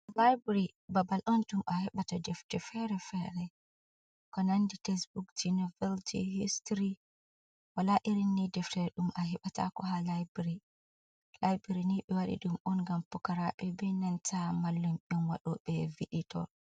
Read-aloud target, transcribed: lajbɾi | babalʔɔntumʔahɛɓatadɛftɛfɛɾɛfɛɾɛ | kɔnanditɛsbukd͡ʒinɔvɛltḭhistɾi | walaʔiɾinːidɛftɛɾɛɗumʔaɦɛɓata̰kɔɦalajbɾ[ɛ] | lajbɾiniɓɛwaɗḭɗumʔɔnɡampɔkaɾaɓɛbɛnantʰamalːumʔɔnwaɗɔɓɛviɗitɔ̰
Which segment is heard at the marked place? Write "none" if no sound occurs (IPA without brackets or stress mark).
i